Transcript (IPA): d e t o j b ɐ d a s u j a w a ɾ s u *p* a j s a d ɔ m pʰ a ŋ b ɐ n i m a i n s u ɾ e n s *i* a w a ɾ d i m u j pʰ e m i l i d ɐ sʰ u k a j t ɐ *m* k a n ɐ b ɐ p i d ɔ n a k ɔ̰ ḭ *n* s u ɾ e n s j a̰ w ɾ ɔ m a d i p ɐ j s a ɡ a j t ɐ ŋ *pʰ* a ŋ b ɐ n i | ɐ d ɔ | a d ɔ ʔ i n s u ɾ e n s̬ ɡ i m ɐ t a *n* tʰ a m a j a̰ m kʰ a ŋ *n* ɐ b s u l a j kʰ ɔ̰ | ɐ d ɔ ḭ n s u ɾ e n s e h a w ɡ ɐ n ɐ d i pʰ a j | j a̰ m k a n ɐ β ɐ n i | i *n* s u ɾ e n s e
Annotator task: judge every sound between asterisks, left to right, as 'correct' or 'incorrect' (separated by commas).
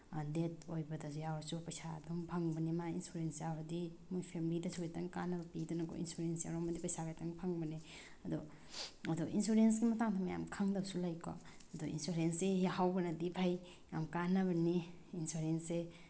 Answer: correct, incorrect, incorrect, correct, correct, incorrect, incorrect, correct